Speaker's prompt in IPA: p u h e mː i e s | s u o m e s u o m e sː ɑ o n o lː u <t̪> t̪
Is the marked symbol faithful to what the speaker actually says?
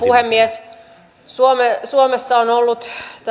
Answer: yes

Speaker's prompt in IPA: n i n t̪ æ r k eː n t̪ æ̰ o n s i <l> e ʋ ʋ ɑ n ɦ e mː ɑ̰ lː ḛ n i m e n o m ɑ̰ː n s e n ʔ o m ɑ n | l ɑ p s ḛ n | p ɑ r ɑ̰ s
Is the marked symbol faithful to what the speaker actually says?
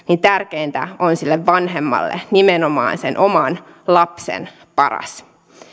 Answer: no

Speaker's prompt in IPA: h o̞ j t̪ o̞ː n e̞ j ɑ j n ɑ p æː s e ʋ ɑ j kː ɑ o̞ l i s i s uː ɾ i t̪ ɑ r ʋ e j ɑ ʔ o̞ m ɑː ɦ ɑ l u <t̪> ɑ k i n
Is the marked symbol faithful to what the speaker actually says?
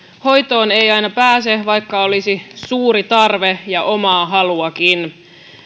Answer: no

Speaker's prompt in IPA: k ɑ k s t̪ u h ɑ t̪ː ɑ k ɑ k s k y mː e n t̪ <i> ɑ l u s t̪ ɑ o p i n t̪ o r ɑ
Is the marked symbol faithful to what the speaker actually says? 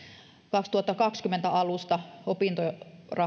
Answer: no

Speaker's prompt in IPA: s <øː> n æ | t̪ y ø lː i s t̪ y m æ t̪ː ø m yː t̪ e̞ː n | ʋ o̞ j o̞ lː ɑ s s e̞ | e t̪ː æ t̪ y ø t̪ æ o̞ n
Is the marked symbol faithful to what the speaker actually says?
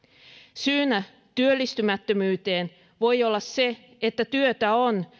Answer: no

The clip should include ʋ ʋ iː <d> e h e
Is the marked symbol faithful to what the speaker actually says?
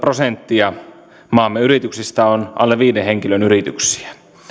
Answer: yes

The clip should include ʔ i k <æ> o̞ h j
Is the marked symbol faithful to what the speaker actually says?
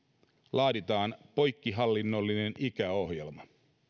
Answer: yes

